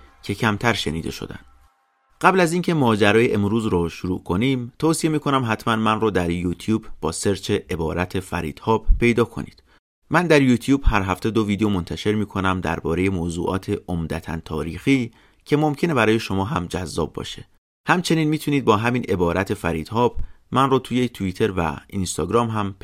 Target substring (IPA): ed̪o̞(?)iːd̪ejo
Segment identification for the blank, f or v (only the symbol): v